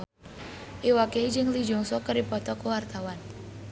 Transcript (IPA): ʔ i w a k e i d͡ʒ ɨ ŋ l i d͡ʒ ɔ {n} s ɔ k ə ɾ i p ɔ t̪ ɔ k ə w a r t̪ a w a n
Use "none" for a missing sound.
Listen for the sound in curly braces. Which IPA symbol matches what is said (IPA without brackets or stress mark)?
ŋ